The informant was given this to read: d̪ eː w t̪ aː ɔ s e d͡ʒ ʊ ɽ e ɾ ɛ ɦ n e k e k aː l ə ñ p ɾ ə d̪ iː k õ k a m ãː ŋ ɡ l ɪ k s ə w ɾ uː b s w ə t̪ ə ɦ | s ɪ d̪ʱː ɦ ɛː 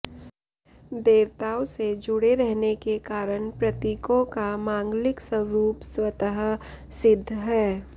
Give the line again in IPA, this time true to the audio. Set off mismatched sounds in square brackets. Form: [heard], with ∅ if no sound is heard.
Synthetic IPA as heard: d̪ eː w t̪ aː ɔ s e d͡ʒ ʊ ɽ e ɾ ɛ ɦ n e k e k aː [ɾ] ə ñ p ɾ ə [t̪] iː k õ k a m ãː ŋ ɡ l ɪ k s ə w ɾ uː [p] s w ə t̪ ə ɦ | s ɪ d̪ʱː ɦ ɛː